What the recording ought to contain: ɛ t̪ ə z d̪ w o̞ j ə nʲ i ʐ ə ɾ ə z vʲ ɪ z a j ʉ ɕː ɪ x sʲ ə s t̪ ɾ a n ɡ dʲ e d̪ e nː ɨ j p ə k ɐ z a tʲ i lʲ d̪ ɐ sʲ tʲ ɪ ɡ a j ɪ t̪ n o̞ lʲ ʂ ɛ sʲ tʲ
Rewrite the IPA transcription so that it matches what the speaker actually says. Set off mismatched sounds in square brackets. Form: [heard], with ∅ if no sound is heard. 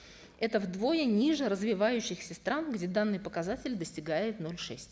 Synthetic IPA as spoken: ɛ t̪ ə [v] d̪ [v] o̞ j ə nʲ i ʐ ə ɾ ə z vʲ ɪ [v] a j ʉ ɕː ɪ x sʲ ə s t̪ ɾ a n ɡ dʲ e d̪ [a] nː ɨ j p ə k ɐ z a tʲ [ɪ] lʲ d̪ [ə] sʲ tʲ ɪ ɡ a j ɪ t̪ n o̞ lʲ ʂ ɛ sʲ tʲ

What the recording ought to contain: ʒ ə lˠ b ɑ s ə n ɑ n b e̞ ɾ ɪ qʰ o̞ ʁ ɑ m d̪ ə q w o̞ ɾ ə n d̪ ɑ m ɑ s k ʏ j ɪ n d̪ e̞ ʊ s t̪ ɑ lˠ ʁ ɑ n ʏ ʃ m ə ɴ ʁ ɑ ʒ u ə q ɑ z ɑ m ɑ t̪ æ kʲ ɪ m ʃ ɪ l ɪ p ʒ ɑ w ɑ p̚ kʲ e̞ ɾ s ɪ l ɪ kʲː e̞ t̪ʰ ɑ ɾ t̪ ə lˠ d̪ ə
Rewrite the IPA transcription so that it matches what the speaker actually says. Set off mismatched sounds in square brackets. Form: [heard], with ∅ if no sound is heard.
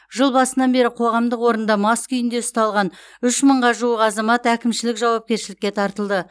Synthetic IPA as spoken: ʒ ə lˠ b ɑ s ə n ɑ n b e̞ ɾ ɪ qʰ o̞ ʁ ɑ m d̪ ə q w o̞ ɾ ə n d̪ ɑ m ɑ s k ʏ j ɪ n d̪ e̞ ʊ s t̪ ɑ lˠ ʁ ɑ n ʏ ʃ m ə ɴ ʁ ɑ ʒ u ə q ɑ z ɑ m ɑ t̪ æ kʲ ɪ m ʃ ɪ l ɪ [k] ʒ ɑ w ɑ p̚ kʲ e̞ ɾ [ʃ] ɪ l ɪ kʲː e̞ t̪ʰ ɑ ɾ t̪ ə lˠ d̪ ə

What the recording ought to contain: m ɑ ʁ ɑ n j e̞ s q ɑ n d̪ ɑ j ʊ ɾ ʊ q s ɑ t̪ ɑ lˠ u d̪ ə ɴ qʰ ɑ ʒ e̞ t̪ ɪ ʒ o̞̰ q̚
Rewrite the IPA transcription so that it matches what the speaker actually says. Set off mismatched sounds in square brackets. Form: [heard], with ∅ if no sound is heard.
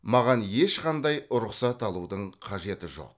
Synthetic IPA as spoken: m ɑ ʁ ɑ n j e̞ [ʃ] q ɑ n d̪ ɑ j ʊ ɾ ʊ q s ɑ t̪ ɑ lˠ u d̪ ə ɴ qʰ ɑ ʒ e̞ t̪ ɪ ʒ o̞̰ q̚

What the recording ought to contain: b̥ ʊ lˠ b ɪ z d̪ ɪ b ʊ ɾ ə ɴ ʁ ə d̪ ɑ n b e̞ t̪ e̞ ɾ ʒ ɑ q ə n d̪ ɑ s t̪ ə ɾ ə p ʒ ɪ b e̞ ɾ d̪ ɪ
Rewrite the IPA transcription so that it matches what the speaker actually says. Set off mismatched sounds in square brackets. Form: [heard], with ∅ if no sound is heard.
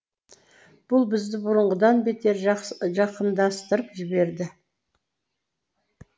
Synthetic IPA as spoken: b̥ ʊ lˠ b ɪ z d̪ ɪ b ʊ ɾ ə ɴ ʁ ə d̪ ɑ n b e̞ t̪ e̞ ɾ ʒ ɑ q ə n d̪ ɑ s t̪ ə ɾ ə p ʒ ɪ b e̞ ɾ d̪ ɪ

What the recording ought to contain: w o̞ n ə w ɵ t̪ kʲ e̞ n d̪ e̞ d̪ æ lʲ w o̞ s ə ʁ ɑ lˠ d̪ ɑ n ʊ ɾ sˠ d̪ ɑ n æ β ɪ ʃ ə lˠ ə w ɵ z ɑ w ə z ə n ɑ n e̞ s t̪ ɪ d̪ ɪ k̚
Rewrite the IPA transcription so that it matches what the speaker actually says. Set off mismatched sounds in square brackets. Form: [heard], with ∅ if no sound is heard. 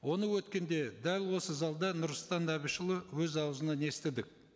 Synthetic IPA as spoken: w o̞ n ə w ɵ t̪ kʲ e̞ n d̪ e̞ d̪ æ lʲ w o̞ s ə [z] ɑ lˠ d̪ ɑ n ʊ ɾ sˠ [t̪] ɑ n æ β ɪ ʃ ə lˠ ə w ɵ z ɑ w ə z ə n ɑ n e̞ s t̪ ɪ d̪ ɪ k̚

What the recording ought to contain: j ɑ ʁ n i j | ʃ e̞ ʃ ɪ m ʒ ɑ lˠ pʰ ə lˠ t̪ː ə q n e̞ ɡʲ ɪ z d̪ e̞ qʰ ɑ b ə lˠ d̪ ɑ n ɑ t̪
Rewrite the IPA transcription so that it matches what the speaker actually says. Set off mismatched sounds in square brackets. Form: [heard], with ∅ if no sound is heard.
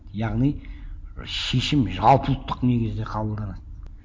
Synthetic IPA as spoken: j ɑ ʁ n i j | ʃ e̞ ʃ ɪ m ʒ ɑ lˠ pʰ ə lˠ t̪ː ə q n e̞ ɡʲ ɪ z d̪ e̞ qʰ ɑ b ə lˠ d̪ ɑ n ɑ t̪

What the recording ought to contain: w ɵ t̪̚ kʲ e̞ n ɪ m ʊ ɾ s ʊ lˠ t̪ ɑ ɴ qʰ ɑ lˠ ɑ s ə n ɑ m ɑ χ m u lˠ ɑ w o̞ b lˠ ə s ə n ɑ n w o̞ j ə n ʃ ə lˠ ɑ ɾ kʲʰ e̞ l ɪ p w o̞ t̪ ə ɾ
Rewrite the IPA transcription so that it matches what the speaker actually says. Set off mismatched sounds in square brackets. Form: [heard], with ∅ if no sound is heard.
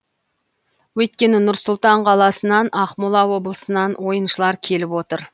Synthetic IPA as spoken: w ɵ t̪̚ kʲ e̞ n ɪ [n] ʊ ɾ s ʊ lˠ t̪ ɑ ɴ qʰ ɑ lˠ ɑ s ə n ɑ [n] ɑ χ m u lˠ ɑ w o̞ b lˠ ə s ə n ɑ n w o̞ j ə n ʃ ə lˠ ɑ ɾ kʲʰ e̞ l ɪ p w o̞ t̪ ə ɾ

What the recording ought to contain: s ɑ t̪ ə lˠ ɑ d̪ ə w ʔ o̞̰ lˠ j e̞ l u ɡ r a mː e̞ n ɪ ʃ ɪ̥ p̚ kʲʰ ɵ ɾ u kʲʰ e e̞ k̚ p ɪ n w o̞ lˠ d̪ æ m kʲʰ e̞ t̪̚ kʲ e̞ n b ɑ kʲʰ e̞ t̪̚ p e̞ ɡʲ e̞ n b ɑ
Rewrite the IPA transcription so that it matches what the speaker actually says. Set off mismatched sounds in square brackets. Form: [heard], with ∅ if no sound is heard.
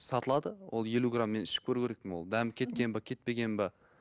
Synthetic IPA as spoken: s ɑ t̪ ə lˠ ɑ d̪ ə w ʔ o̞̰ lˠ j e̞ l u ɡ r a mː e̞ n ɪ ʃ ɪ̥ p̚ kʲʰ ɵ ɾ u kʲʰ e e̞ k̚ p ɪ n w o̞ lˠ d̪ æ m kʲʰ e̞ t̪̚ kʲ e̞ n b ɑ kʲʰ e̞ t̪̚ p e̞ ɡʲ e̞ n b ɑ

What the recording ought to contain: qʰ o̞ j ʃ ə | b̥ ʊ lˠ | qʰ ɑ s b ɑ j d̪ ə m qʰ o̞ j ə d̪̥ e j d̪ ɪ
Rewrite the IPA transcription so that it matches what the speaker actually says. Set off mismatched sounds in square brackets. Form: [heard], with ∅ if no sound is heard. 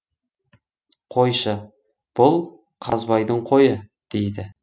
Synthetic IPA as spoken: qʰ o̞ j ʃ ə | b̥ ʊ lˠ | qʰ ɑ [z] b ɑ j d̪ ə [ɴ] qʰ o̞ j ə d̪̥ e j d̪ ɪ

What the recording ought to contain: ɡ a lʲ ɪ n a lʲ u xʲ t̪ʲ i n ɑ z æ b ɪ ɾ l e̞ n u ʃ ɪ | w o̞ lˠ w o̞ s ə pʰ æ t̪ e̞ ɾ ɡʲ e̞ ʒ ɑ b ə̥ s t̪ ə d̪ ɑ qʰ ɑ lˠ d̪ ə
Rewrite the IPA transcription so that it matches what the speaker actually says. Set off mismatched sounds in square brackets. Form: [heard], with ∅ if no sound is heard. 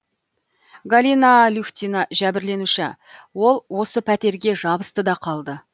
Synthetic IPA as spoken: ɡ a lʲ [i] n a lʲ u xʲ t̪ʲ i n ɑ [ʒ] æ b ɪ ɾ l e̞ n u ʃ ɪ | w o̞ lˠ w o̞ s ə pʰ æ t̪ e̞ ɾ ɡʲ e̞ ʒ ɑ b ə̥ s t̪ ə d̪ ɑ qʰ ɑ lˠ d̪ ə

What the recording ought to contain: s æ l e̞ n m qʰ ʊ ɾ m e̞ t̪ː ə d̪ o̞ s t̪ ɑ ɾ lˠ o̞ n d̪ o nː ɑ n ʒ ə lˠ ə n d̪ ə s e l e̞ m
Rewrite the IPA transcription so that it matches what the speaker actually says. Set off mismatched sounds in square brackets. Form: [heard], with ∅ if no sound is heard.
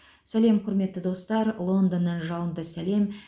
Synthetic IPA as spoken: s æ l e̞ [∅] m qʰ ʊ ɾ m e̞ t̪ː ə d̪ o̞ s t̪ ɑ ɾ lˠ o̞ n d̪ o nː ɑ n ʒ [ɑ] lˠ ə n d̪ ə s [æ] l e̞ m

